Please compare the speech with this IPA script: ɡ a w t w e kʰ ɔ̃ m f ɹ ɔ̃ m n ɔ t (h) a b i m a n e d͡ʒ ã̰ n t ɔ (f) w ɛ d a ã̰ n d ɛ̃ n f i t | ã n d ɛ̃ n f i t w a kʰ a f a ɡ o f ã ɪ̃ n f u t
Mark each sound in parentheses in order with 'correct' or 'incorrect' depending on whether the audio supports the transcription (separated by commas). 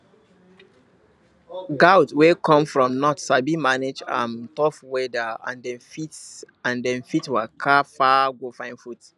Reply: incorrect, correct